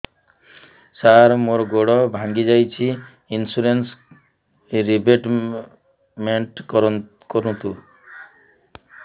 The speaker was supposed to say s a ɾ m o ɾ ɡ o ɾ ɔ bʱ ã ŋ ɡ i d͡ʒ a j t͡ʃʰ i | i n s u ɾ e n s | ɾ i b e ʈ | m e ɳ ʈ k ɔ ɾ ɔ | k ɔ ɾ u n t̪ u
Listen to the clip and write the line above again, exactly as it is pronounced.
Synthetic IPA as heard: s a ɾ m o ɾ ɡ o ɽ ɔ bʱ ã ŋ ɡ i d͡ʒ a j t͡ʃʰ i | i n s u ɾ e n s | ɾ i b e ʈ | m e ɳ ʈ k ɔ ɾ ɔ | k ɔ ɾ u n t̪ u